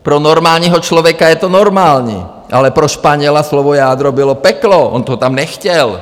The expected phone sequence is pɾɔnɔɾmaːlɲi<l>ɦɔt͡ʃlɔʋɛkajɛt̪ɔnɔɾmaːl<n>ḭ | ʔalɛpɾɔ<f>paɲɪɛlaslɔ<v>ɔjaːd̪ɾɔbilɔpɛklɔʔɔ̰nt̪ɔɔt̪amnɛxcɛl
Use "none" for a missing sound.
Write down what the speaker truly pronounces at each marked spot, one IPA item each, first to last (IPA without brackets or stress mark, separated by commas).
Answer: none, ɲ, ʃ, ʋ